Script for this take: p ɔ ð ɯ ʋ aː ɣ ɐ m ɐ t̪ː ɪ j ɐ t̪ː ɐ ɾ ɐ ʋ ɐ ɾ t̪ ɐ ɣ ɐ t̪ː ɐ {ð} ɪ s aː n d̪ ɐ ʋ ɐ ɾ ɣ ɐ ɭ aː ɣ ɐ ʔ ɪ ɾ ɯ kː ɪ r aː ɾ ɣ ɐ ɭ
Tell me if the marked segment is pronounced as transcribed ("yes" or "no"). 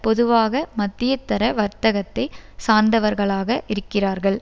no